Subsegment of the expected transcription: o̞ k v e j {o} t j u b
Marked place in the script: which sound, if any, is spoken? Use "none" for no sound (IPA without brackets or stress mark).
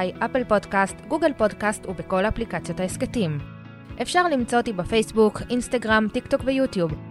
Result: u